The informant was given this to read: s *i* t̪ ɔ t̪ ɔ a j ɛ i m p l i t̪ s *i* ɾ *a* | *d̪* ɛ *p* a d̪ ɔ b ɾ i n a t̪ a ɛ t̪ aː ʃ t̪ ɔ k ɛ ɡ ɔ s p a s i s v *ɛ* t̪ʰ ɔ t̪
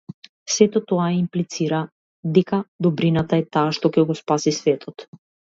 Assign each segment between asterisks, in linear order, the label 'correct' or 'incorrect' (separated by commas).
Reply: incorrect, correct, correct, correct, incorrect, correct